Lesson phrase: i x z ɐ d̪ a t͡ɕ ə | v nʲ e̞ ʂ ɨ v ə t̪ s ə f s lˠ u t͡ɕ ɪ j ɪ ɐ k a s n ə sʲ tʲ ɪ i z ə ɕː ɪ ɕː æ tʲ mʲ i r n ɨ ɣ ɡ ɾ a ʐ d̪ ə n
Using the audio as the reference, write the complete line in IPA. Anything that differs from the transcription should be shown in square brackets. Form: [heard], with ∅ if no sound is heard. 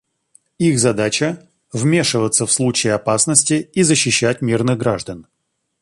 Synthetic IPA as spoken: i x z ɐ d̪ a t͡ɕ ə | v [mʲ] e̞ ʂ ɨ v ə t̪ s ə f s lˠ u t͡ɕ ɪ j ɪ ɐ [p] a s n ə sʲ tʲ ɪ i z ə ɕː ɪ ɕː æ tʲ mʲ i r n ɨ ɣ ɡ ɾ a ʐ d̪ ə n